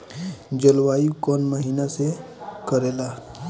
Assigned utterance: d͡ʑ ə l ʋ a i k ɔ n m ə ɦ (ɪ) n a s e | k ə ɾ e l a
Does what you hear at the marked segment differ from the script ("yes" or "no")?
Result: yes